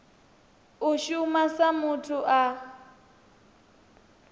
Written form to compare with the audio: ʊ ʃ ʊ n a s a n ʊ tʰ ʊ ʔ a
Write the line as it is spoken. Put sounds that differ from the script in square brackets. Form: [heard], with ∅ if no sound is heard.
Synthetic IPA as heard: ʊ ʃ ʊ [m] a s a [m] ʊ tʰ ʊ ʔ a